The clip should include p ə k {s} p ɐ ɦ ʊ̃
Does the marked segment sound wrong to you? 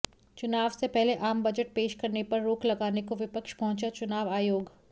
yes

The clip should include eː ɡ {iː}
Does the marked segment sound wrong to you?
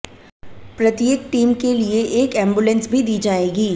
no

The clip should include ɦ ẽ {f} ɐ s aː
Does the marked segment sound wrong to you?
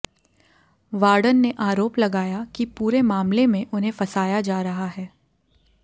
no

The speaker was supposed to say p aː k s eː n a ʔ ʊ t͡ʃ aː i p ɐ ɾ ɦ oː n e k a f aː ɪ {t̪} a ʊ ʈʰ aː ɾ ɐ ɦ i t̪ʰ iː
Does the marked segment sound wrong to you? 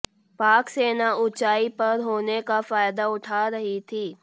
yes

